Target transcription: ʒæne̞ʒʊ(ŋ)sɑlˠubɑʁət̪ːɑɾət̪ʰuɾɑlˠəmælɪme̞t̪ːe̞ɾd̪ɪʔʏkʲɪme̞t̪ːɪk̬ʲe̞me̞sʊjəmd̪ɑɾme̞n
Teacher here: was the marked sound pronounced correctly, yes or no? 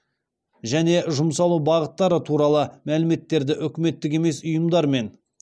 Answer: no